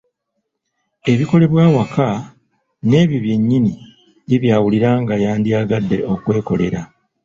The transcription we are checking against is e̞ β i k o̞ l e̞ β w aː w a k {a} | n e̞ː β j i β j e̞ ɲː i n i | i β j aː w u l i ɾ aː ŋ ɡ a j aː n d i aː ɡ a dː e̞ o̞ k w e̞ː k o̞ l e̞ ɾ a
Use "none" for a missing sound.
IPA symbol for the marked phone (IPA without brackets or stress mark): a